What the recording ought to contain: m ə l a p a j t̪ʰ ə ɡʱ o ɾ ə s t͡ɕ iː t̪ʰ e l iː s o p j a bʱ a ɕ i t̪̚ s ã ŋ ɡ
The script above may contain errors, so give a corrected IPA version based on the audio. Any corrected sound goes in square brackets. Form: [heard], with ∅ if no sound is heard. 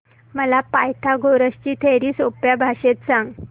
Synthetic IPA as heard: m ə l a p a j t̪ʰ [a] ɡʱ o ɾ ə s t͡ɕ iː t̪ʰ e [ɾ] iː s o p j a bʱ a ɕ [e] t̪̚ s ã ŋ ɡ